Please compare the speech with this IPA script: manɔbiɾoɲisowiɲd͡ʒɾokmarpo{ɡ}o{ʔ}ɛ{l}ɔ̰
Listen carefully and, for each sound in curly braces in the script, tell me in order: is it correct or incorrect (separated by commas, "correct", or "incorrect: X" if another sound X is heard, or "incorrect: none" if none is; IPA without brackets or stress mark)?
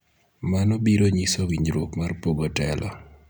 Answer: correct, incorrect: t, correct